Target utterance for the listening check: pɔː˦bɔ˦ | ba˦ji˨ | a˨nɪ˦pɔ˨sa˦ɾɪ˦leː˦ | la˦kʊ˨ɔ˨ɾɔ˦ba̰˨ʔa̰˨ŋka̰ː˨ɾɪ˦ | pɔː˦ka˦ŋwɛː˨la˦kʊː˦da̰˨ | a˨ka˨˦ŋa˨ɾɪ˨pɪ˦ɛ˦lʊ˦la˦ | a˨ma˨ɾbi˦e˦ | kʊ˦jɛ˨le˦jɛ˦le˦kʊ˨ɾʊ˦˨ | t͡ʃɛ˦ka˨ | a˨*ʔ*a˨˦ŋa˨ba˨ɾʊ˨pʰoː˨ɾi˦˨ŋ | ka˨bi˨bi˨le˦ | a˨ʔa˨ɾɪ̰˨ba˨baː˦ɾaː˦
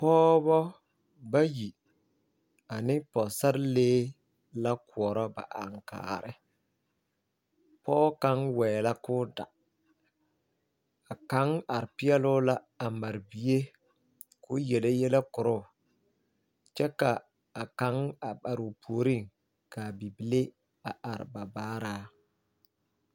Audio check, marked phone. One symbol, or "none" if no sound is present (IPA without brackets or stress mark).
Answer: k